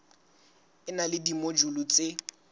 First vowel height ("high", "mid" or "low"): high